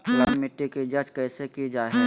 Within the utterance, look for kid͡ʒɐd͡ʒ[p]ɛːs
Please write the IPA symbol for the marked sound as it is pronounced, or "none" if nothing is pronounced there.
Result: k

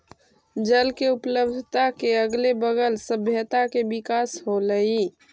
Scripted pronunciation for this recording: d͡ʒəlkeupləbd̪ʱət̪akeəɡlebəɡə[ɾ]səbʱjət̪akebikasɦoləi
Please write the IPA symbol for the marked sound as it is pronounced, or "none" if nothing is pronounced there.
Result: l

